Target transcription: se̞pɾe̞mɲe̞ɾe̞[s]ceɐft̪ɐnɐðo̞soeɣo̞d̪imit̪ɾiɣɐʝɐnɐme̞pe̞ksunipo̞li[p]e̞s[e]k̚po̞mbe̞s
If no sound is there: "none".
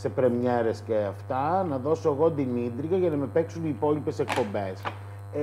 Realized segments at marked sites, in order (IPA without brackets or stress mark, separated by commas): s, p, e